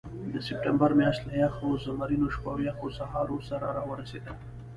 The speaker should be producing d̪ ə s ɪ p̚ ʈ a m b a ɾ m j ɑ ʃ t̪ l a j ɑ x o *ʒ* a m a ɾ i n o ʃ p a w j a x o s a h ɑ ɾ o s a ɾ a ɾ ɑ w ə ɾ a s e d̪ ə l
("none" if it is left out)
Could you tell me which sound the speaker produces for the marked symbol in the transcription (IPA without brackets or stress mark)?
z